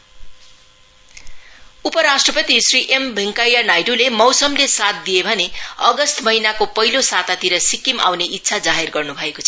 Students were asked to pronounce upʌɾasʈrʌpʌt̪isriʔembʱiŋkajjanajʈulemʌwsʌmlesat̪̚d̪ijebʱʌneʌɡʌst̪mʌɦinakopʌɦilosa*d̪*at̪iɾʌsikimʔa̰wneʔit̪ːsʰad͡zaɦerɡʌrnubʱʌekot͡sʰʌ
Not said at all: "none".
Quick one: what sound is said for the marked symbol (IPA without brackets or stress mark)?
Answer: t̪